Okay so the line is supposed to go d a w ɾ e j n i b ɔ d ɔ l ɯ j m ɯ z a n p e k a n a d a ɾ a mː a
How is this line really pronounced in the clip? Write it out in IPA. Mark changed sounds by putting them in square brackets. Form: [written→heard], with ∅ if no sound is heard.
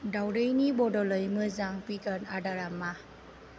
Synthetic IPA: d a w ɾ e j n i b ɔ d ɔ l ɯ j m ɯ z a [n→ŋ] p [e→i] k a n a d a ɾ a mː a